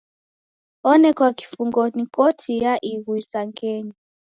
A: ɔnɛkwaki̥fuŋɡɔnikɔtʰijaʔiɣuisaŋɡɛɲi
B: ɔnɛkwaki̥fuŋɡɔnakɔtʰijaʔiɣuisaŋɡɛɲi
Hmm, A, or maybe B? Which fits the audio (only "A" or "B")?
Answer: A